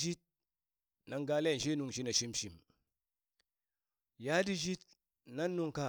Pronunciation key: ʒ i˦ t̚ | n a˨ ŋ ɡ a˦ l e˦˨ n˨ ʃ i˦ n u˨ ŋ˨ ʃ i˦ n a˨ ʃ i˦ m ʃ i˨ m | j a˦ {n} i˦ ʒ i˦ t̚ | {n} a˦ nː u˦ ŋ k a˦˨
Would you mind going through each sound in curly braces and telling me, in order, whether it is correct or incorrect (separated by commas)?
incorrect, correct